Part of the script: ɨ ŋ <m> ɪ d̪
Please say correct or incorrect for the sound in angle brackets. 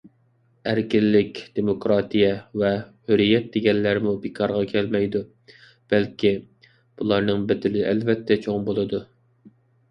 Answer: incorrect